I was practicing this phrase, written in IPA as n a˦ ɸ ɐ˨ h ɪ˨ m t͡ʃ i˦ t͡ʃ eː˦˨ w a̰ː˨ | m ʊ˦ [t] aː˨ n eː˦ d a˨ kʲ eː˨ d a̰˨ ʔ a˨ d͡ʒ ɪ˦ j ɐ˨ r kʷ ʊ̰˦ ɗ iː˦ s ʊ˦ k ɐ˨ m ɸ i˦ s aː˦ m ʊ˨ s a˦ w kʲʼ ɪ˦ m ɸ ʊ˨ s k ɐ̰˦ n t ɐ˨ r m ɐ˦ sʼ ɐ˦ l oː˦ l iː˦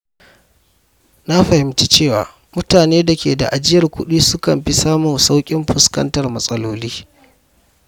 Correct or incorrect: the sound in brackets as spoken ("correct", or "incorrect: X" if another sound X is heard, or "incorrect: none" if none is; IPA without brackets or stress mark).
correct